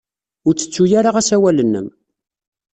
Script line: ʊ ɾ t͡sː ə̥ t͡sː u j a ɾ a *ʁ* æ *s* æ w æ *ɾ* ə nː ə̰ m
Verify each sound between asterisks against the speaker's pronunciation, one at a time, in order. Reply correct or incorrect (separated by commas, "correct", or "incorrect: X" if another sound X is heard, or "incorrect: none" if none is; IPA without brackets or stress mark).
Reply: correct, correct, incorrect: l